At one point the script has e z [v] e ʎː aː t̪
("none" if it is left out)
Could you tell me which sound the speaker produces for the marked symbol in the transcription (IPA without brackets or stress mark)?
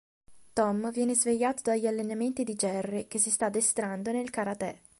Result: v